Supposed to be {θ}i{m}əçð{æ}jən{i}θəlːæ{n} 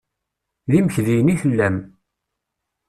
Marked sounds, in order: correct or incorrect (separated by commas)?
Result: incorrect, correct, incorrect, correct, incorrect